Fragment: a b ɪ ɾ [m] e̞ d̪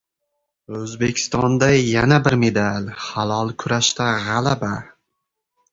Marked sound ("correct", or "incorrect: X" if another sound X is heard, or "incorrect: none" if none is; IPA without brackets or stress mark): correct